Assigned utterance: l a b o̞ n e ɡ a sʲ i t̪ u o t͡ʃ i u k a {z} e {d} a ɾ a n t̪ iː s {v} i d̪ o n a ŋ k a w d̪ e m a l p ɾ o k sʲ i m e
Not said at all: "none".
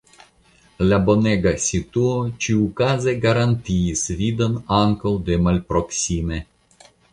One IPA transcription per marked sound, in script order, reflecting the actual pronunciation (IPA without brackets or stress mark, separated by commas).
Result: z, ɡ, v